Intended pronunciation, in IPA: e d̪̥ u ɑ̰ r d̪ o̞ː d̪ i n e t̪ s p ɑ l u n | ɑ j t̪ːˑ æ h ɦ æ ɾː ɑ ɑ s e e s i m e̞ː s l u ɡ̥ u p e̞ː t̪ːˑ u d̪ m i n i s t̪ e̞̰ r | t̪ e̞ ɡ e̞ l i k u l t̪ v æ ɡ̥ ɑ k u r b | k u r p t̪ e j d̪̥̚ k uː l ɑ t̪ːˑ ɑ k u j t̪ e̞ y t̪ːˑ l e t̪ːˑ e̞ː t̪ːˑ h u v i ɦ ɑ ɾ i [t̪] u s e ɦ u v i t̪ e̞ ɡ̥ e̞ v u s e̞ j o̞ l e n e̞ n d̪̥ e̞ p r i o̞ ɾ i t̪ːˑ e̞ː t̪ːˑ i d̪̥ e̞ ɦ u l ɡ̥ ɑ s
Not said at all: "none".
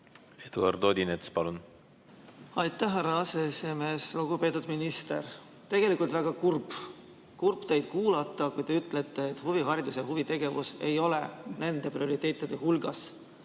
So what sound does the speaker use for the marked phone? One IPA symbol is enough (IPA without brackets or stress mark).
d̪